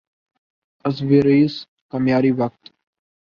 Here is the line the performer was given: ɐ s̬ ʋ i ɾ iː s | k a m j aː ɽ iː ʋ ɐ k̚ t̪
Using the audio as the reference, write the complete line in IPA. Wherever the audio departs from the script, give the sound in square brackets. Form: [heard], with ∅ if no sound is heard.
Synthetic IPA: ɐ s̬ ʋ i ɾ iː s | k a m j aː [ɾ] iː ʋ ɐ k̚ t̪